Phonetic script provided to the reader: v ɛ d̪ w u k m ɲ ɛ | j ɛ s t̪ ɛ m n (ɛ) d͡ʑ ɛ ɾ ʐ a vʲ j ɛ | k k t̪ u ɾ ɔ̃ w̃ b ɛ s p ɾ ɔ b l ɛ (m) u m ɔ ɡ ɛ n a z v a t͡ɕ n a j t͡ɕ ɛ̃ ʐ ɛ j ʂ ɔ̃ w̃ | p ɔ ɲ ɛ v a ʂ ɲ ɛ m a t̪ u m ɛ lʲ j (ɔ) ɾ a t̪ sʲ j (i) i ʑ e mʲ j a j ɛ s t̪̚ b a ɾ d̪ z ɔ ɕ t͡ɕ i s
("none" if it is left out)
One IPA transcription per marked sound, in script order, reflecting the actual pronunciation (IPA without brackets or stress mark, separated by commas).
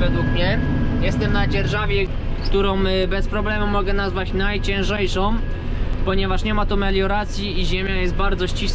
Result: a, m, ɔ, i